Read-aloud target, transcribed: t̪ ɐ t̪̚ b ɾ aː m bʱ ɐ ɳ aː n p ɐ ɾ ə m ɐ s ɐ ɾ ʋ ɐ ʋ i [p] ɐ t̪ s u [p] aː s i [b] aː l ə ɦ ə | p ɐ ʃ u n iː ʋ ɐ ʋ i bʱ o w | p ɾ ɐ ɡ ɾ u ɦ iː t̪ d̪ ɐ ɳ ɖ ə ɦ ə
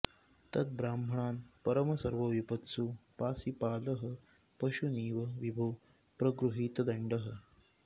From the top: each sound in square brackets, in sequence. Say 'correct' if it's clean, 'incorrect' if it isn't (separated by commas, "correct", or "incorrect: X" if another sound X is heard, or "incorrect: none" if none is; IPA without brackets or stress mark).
correct, correct, incorrect: p